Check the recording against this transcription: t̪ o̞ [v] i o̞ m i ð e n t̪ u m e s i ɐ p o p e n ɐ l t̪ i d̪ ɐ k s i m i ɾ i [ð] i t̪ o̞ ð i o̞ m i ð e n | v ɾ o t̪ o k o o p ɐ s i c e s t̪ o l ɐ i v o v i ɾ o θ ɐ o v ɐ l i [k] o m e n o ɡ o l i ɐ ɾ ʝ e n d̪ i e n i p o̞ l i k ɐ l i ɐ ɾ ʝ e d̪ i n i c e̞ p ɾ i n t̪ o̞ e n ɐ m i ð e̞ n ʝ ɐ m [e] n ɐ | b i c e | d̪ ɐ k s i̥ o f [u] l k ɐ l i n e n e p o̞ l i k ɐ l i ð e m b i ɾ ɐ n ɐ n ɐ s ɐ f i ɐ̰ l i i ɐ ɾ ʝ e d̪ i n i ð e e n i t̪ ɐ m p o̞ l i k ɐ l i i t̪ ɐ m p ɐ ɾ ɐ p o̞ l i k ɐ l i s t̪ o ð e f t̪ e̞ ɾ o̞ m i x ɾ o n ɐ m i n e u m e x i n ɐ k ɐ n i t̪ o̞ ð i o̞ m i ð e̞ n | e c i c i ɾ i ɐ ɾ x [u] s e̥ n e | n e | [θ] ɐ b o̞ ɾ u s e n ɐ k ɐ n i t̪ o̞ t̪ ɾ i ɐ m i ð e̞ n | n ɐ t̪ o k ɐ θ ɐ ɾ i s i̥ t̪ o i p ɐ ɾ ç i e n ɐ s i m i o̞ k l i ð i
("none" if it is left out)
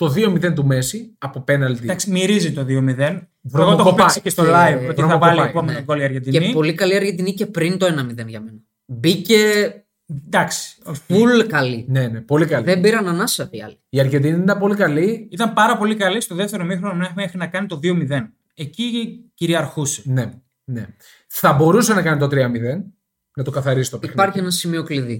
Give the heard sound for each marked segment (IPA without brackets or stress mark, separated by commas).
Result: ð, z, p, e, u, u, θ